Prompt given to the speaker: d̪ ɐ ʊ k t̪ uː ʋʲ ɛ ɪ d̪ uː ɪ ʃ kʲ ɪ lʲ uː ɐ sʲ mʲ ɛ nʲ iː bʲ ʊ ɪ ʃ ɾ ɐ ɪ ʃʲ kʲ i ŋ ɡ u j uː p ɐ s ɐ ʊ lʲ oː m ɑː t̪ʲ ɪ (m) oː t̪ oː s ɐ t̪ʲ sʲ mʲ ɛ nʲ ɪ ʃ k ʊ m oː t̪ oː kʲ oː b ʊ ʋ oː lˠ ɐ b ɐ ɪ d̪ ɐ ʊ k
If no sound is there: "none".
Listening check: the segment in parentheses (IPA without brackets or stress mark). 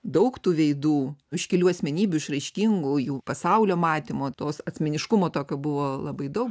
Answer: m